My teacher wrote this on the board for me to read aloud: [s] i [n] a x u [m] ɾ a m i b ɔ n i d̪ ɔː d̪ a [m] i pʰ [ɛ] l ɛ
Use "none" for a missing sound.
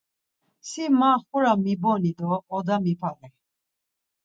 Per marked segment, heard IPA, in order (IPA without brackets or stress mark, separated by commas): s, m, none, m, a